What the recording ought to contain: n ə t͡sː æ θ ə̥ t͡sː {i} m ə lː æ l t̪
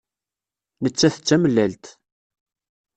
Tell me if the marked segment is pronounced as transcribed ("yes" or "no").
no